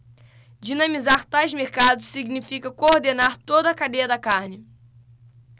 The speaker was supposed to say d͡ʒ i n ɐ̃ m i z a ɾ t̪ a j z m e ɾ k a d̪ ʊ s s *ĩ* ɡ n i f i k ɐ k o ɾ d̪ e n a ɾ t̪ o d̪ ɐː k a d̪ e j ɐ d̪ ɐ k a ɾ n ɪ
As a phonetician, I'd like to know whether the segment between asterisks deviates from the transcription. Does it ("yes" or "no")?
yes